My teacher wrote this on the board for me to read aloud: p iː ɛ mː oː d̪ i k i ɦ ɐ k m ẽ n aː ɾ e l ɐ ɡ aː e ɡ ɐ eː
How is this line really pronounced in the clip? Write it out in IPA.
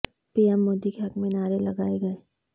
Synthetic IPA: p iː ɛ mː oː d̪ i k e ɦ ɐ k m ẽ n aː ɾ e l ɐ ɡ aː e ɡ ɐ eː